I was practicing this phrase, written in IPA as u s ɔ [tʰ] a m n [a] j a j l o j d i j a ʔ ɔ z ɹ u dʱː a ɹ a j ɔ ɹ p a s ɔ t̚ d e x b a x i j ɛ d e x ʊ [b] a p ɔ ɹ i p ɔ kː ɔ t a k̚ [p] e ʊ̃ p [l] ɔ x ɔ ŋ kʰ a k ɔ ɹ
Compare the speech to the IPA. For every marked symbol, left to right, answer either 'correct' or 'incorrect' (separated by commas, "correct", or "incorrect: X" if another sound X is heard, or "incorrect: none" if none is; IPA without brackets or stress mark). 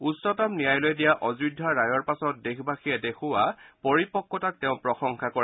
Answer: incorrect: t, incorrect: i, incorrect: w, incorrect: t, incorrect: ɹ